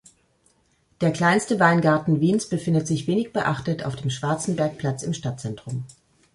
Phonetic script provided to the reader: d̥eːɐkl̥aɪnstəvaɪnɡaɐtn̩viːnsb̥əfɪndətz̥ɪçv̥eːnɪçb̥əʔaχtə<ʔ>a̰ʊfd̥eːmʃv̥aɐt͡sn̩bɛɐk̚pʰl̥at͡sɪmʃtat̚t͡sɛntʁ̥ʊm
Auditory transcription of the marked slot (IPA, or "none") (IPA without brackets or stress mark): t